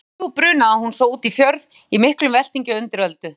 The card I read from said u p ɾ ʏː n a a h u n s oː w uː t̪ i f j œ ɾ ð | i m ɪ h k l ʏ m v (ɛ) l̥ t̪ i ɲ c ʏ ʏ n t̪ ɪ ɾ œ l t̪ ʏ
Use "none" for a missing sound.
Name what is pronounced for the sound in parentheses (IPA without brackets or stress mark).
ɛ